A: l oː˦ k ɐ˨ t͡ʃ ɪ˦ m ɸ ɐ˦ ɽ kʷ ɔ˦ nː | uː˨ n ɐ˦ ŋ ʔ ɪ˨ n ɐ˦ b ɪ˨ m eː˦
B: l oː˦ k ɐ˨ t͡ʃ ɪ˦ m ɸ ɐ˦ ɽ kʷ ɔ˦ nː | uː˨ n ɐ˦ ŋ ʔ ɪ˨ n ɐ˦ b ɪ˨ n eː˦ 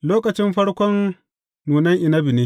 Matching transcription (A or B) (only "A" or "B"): B